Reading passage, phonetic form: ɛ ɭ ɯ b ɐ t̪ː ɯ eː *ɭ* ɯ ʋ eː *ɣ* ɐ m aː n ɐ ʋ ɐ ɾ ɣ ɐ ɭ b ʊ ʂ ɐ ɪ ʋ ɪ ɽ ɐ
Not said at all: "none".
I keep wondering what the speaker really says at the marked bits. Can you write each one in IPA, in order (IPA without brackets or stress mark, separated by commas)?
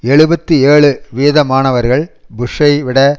ɭ, ð